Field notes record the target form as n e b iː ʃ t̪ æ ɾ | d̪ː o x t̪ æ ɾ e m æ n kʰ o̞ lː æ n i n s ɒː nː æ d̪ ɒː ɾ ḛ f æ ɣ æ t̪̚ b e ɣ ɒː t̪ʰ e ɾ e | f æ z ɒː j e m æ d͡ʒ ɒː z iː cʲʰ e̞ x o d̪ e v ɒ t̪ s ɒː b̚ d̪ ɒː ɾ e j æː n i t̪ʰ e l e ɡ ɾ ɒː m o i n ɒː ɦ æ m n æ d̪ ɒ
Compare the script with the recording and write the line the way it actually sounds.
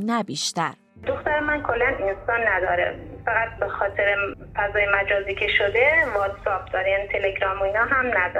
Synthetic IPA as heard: n æ b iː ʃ t̪ æ ɾ | d̪ o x t̪ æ ɾ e m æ n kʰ o̞ lː æ n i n s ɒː nː æ d̪ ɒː ɾ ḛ f æ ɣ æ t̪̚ b e x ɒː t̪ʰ e ɾ e | f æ z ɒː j e m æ d͡ʒ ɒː z iː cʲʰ e̞ ʃ o d̪ e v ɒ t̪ s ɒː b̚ d̪ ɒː ɾ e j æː n i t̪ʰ e l e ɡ ɾ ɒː m o i n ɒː ɦ æ m n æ d̪ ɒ